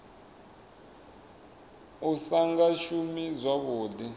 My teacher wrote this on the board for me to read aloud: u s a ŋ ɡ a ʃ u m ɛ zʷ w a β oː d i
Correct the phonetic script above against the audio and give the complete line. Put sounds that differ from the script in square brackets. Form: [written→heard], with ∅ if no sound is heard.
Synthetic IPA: u s a ŋ ɡ a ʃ u m [ɛ→i] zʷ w a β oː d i